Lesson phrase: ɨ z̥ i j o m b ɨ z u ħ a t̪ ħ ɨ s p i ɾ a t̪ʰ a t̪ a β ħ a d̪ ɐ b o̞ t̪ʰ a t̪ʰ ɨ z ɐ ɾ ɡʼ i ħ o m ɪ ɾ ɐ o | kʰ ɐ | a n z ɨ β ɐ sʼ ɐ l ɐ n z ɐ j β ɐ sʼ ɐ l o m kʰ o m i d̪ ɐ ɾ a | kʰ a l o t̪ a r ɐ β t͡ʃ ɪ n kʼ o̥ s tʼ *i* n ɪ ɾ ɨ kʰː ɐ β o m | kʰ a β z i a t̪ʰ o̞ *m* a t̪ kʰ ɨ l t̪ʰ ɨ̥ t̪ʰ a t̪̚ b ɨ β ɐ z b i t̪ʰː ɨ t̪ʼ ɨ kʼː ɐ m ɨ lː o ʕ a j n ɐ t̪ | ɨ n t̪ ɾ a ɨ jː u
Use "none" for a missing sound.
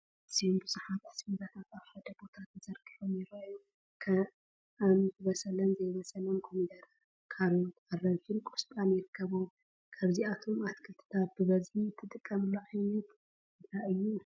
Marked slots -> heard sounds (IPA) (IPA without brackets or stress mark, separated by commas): a, m